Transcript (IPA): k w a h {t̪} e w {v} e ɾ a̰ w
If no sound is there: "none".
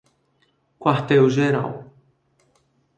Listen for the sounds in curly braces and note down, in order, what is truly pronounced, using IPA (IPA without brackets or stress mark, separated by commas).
t̪, ʒ